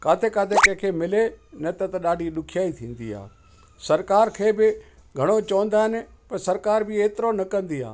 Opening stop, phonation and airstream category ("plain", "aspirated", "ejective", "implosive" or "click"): plain